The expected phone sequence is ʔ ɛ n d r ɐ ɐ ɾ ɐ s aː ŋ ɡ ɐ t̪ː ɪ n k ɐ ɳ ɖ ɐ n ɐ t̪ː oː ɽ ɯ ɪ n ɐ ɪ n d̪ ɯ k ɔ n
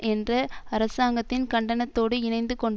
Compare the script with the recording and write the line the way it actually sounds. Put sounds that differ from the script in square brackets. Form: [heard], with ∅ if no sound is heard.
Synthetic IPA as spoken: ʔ ɛ n d r ɐ ɐ ɾ ɐ s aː ŋ ɡ ɐ t̪ː ɪ n k ɐ ɳ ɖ ɐ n ɐ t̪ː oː ɽ ɯ ɪ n ɐ ɪ n d̪ ɯ k ɔ [ɳ]